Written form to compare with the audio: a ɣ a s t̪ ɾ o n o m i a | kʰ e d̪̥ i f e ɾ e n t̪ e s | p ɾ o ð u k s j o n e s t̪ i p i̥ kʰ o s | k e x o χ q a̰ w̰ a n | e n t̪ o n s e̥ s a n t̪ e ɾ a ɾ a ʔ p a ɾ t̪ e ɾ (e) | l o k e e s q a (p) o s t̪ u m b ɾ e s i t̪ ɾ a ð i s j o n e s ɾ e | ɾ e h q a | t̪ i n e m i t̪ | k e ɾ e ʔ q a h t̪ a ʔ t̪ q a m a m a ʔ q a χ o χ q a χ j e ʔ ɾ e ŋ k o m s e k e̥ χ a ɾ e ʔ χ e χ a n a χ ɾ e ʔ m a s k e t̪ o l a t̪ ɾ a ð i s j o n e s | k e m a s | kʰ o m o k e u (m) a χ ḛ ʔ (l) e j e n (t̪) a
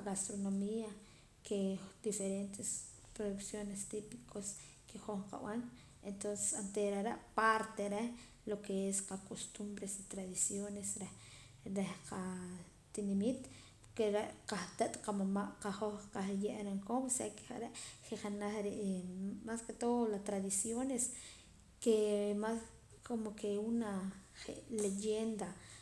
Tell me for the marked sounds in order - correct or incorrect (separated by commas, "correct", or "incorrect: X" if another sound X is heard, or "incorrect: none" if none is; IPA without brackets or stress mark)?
correct, incorrect: k, incorrect: n, correct, incorrect: d̪